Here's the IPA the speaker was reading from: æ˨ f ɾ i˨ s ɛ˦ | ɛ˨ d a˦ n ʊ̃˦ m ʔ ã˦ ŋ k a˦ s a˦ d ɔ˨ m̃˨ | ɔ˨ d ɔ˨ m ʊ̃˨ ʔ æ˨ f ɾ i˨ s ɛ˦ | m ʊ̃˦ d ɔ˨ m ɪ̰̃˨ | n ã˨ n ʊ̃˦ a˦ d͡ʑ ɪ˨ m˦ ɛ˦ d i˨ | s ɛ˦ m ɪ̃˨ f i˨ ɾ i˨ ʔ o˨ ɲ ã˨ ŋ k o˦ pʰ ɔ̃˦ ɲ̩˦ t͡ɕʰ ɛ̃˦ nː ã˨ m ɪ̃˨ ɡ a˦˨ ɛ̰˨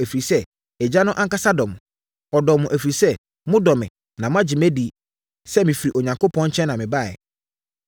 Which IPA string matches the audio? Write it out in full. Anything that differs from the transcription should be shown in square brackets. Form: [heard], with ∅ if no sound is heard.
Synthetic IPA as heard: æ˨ f ɾ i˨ s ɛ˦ | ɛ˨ [d͡ʑ] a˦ n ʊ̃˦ [∅] ʔ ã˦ ŋ k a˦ s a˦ d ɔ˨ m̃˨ | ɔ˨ d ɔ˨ m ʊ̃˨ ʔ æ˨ f ɾ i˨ s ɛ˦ | m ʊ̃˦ d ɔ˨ m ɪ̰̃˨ | n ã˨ [m] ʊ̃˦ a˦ d͡ʑ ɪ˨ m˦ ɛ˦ d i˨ | s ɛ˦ m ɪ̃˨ f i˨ ɾ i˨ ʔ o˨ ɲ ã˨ ŋ k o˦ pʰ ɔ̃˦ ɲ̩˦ t͡ɕʰ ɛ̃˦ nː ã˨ m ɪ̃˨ [b] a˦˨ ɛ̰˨